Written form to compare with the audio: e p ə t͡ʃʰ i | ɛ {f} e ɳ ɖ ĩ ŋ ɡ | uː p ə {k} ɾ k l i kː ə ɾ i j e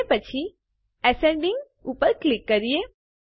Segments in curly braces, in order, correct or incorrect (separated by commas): incorrect, incorrect